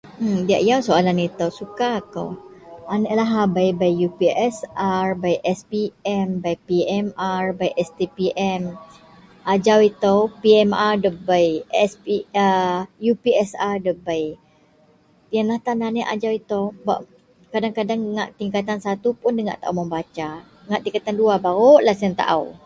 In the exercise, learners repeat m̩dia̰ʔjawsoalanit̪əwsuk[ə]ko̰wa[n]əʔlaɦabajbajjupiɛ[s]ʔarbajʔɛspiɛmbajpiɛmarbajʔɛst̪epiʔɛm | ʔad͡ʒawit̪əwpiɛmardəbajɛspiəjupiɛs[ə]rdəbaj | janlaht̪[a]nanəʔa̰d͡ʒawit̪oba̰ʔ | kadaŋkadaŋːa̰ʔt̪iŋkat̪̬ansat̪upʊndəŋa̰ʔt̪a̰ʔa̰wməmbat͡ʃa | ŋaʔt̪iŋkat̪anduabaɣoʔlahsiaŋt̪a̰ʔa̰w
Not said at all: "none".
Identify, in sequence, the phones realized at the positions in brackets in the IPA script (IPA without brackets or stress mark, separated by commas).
a, n, s, a, a